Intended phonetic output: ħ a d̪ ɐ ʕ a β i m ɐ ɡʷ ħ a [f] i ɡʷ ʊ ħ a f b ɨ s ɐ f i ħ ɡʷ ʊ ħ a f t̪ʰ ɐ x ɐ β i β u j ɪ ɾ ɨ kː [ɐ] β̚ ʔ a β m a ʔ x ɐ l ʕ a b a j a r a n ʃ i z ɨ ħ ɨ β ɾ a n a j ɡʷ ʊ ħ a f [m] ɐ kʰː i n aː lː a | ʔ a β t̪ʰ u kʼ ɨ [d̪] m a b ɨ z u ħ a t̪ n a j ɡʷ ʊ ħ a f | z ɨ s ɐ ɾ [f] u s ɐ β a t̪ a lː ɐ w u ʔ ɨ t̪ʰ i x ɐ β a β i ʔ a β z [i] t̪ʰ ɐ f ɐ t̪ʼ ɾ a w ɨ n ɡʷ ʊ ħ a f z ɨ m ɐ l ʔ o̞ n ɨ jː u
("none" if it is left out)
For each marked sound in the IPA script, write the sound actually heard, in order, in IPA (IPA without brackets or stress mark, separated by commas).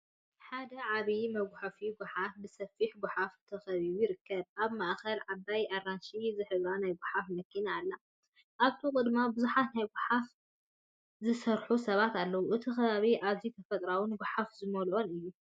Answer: f, ɐ, m, d̪, ħ, i